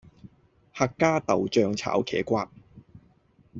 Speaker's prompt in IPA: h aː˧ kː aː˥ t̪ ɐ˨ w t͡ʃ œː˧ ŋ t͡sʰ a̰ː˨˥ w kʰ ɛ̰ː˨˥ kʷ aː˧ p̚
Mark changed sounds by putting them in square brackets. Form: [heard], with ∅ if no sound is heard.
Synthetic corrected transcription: h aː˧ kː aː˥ t̪ ɐ˨ w t͡ʃ œː˧ ŋ t͡sʰ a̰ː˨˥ w kʰ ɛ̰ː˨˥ kʷ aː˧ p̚

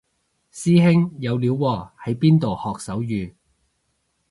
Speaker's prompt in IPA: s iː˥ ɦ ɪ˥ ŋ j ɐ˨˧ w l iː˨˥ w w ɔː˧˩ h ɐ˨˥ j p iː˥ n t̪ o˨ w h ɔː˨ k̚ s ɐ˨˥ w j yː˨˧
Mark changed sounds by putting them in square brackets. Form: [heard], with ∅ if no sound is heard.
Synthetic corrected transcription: s iː˥ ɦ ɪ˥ ŋ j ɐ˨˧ w l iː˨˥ w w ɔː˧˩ h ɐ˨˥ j p iː˥ n t̪ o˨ w h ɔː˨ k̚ s ɐ˨˥ w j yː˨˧

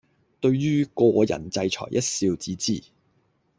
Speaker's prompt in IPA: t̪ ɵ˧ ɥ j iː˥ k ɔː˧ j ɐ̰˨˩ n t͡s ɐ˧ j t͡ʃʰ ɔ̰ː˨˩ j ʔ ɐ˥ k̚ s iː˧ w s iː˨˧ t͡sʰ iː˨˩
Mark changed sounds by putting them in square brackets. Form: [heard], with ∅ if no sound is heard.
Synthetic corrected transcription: t̪ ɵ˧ ɥ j [yː˥] k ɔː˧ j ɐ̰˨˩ n t͡s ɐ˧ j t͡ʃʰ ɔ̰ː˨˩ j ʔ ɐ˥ [t̚] s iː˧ w [t͡s] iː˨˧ [t͡s] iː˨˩

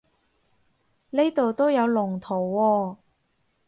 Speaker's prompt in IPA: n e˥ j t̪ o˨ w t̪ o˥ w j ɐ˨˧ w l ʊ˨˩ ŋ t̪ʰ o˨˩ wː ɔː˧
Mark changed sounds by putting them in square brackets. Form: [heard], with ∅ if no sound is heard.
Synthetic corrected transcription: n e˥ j t̪ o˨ w t̪ o˥ w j ɐ˨˧ w l ʊ˨˩ ŋ t̪ʰ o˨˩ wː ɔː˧

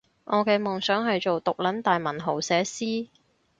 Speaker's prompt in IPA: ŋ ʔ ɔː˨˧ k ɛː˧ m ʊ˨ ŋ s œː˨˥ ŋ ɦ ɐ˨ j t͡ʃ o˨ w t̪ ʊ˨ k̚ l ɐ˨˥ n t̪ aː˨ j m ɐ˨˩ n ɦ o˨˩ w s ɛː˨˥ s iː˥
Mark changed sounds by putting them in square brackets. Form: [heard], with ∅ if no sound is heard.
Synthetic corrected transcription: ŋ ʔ ɔː˨˧ k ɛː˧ m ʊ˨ ŋ s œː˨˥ ŋ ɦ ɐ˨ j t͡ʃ o˨ w t̪ ʊ˨ k̚ l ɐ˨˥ n t̪ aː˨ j m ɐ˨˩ n ɦ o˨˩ w s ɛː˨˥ s iː˥

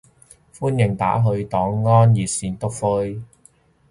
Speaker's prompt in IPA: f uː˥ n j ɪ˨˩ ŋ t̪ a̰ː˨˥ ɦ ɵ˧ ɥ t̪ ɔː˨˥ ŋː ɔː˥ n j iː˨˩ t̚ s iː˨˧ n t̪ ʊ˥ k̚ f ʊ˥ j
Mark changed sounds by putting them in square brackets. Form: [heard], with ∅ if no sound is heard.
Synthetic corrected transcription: f uː˥ n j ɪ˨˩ ŋ t̪ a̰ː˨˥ ɦ ɵ˧ ɥ t̪ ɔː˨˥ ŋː ɔː˥ n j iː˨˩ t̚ s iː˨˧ n t̪ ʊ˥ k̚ f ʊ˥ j

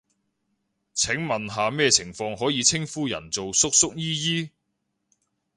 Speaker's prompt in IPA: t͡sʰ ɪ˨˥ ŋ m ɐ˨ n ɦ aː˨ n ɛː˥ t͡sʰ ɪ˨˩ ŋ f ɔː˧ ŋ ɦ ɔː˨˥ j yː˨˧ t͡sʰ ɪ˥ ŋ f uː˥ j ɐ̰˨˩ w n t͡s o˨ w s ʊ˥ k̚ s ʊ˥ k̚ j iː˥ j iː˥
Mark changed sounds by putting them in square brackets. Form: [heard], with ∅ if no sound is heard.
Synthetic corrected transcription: t͡sʰ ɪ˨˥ ŋ m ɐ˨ n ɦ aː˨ [m] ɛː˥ t͡sʰ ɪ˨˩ ŋ f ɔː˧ ŋ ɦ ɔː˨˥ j [iː˨˧] t͡sʰ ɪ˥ ŋ f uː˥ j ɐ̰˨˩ [∅] n t͡s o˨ w s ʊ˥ k̚ s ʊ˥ k̚ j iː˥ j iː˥

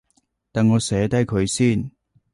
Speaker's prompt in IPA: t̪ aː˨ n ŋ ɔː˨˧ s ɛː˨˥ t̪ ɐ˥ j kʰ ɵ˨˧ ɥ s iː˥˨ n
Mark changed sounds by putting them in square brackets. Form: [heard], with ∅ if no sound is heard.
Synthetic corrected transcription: t̪ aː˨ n ŋ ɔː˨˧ s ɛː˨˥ t̪ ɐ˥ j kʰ ɵ˨˧ ɥ s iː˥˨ n

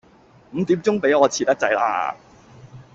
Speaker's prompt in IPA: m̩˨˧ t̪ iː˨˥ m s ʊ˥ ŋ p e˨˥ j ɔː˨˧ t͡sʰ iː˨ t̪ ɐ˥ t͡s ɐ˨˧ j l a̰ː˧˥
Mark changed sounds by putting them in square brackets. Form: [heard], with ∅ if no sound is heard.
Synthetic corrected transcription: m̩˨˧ t̪ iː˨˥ m [t͡s] ʊ˥ ŋ p e˨˥ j ɔː˨˧ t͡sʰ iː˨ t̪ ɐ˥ t͡s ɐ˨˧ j l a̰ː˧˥

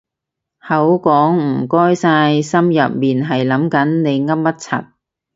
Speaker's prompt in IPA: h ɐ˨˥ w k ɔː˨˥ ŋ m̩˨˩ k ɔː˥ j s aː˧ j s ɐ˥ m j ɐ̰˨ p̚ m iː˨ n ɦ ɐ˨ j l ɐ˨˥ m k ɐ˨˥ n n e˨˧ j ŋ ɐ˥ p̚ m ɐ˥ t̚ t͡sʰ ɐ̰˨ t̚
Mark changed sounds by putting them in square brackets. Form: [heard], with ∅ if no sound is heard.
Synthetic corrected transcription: h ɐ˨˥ w k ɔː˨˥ ŋ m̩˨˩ k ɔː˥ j s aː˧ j s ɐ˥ m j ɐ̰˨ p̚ m iː˨ n ɦ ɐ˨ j l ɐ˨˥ m k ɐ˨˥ n n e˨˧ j ŋ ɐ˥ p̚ m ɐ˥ t̚ t͡sʰ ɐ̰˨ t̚

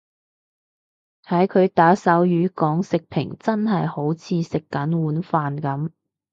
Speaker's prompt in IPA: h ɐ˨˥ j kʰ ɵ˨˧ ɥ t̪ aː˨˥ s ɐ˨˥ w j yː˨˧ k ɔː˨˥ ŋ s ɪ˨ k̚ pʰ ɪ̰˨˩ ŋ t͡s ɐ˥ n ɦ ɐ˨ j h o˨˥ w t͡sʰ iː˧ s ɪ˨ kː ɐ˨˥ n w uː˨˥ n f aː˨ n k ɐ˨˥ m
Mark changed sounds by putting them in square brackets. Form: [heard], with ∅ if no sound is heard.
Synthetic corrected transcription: h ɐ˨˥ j kʰ ɵ˨˧ ɥ t̪ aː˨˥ s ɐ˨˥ w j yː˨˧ k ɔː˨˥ ŋ s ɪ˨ k̚ pʰ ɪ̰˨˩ ŋ t͡s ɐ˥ n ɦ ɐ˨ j h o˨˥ w t͡sʰ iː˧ s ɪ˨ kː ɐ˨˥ n w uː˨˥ n f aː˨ n k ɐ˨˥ m

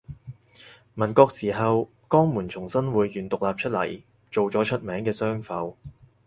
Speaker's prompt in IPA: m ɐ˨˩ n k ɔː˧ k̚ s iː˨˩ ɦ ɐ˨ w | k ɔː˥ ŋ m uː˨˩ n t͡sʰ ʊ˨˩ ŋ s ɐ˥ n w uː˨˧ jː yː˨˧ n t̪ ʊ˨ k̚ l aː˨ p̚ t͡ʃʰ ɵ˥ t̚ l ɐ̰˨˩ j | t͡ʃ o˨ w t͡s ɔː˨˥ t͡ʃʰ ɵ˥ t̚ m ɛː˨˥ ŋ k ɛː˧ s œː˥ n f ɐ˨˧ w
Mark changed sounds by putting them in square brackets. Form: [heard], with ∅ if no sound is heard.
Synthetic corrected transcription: m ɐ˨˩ n k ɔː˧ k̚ s iː˨˩ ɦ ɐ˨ w | k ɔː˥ ŋ m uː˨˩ n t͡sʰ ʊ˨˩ ŋ s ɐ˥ n w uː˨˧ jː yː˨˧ n t̪ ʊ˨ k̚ l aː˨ p̚ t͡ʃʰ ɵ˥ t̚ l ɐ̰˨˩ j | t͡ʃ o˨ w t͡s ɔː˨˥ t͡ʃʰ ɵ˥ t̚ m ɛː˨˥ ŋ k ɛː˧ s œː˥ [ŋ] f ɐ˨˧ w

